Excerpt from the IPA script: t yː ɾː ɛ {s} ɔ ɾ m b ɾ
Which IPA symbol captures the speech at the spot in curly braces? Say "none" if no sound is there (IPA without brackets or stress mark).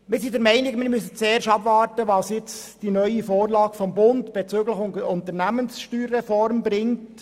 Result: f